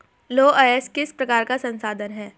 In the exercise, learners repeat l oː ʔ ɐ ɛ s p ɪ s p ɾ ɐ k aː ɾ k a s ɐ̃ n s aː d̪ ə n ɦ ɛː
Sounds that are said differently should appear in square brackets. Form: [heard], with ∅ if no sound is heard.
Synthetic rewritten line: l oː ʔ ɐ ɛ s [k] ɪ s p ɾ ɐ k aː ɾ k a s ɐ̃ n s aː d̪ ə n ɦ ɛː

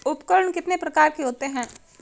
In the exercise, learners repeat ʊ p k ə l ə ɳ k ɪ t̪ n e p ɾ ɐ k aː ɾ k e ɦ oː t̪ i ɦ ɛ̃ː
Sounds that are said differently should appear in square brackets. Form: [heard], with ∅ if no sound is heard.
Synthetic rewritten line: ʊ p k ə [ɾ] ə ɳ k ɪ t̪ n e p ɾ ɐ k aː ɾ k e ɦ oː t̪ [e] ɦ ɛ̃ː

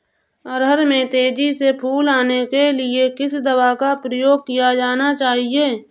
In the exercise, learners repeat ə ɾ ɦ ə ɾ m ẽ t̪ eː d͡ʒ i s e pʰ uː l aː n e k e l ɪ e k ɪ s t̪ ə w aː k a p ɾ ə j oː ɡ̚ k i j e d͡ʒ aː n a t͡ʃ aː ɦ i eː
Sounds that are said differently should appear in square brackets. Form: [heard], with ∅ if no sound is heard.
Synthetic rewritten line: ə ɾ ɦ ə ɾ m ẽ t̪ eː d͡ʒ i s e pʰ uː l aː n e k e l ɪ e k ɪ s [d̪] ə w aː k a p ɾ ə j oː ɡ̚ k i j [a] d͡ʒ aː n a t͡ʃ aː ɦ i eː

